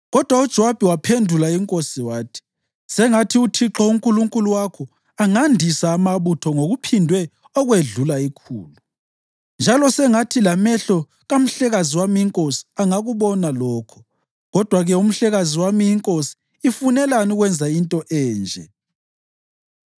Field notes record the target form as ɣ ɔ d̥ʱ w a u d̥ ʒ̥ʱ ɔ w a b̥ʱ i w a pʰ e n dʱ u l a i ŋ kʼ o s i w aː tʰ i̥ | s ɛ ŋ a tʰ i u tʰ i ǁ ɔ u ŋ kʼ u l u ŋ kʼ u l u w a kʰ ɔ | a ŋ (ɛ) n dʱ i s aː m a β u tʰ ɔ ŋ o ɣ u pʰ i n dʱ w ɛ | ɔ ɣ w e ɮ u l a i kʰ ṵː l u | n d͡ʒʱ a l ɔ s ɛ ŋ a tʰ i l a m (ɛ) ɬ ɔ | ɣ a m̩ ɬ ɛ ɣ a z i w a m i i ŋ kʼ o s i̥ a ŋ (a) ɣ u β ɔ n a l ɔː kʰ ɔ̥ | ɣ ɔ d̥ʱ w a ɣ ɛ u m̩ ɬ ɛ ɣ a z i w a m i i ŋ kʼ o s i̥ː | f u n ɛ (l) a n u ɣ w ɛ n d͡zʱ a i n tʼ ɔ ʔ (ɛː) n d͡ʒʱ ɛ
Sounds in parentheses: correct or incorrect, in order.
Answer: incorrect, correct, correct, correct, correct

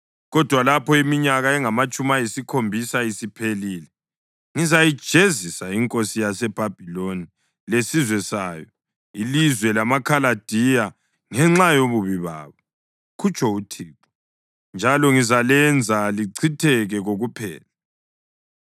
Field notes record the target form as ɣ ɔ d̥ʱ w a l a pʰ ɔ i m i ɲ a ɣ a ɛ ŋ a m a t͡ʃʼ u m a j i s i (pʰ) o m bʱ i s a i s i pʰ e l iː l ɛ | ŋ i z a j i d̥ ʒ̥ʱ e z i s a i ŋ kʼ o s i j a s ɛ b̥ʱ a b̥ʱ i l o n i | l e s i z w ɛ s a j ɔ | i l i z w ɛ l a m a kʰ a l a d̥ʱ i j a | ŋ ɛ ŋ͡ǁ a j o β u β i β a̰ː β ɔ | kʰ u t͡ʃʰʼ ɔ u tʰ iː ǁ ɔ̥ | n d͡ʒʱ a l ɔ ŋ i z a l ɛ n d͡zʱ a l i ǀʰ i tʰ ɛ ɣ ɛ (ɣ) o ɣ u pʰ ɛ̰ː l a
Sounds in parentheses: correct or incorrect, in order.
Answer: incorrect, correct

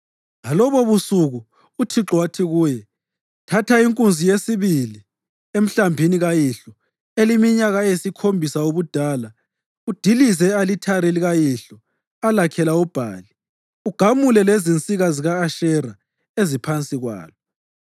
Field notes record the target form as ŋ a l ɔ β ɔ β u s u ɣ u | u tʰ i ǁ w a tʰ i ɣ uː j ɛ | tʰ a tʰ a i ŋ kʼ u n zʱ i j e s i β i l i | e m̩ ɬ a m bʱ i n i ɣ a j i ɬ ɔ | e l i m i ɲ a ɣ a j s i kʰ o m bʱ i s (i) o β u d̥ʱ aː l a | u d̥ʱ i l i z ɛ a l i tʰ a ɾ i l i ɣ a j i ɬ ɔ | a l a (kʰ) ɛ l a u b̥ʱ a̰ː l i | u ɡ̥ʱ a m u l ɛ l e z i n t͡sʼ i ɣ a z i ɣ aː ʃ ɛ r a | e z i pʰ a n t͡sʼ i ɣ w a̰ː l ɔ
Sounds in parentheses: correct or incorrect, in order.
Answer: incorrect, correct

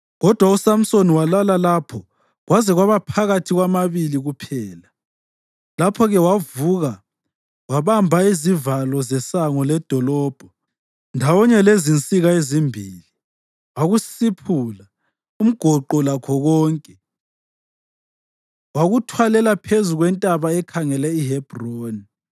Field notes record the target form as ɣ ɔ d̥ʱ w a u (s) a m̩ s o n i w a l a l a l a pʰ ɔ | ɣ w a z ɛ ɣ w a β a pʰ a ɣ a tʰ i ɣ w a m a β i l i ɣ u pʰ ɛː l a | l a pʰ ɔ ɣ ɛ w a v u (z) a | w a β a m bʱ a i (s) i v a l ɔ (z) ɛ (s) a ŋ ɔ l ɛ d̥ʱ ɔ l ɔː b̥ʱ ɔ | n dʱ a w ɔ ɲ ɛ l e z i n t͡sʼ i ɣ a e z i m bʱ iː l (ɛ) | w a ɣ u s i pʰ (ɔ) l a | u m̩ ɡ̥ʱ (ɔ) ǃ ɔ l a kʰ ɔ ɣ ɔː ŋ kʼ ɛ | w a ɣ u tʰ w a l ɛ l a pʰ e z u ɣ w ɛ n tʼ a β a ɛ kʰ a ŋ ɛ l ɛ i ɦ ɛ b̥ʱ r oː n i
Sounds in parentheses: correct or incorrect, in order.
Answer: correct, incorrect, incorrect, correct, correct, incorrect, incorrect, correct

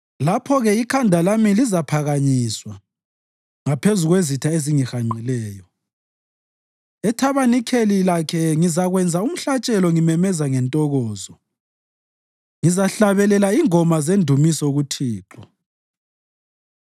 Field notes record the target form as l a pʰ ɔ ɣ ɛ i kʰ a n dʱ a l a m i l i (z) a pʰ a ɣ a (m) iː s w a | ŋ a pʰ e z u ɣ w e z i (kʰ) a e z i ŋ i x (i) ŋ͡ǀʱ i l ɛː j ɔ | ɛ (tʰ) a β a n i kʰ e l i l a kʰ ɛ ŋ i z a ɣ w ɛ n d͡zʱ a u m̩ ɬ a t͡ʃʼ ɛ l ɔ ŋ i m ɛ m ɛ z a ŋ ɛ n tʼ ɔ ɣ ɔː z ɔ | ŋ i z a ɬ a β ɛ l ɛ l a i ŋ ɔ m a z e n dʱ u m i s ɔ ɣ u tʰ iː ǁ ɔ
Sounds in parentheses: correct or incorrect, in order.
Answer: correct, incorrect, incorrect, incorrect, correct

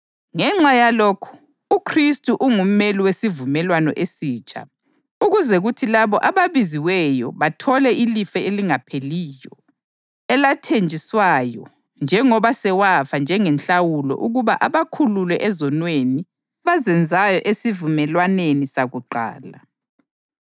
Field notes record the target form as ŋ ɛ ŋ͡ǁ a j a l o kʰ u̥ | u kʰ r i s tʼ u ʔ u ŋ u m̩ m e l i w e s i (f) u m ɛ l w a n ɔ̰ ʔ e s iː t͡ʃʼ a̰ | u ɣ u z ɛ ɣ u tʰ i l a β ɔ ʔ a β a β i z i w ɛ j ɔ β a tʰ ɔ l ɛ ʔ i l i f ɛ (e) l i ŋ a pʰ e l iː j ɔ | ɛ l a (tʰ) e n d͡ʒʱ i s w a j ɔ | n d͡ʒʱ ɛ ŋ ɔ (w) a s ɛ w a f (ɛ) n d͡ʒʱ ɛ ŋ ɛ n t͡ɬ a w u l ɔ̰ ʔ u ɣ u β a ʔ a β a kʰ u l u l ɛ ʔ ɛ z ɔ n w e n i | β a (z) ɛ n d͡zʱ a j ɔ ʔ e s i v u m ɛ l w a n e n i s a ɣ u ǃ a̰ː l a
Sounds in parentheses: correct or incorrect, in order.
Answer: incorrect, correct, correct, incorrect, incorrect, correct

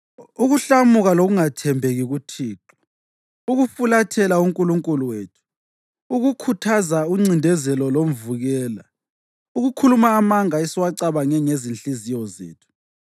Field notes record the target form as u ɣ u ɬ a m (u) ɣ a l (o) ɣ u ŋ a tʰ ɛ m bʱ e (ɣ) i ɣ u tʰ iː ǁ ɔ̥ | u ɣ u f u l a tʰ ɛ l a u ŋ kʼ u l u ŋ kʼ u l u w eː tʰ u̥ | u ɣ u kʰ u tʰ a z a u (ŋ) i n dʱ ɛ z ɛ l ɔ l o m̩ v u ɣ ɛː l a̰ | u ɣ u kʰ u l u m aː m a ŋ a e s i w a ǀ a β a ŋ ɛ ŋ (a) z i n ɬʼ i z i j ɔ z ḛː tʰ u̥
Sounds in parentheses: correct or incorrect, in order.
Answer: correct, correct, correct, incorrect, incorrect

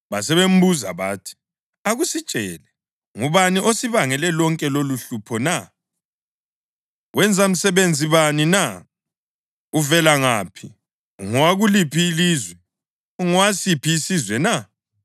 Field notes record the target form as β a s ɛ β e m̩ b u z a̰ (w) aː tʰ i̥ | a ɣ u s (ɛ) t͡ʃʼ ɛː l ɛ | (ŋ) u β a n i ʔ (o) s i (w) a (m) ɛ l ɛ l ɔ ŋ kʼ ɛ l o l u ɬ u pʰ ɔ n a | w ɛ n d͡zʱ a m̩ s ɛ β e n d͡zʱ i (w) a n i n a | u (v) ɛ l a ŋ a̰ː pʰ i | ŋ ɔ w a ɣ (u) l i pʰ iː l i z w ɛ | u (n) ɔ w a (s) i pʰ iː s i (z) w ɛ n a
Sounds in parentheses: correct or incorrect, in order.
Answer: incorrect, incorrect, correct, correct, incorrect, incorrect, incorrect, correct, correct, incorrect, correct, correct

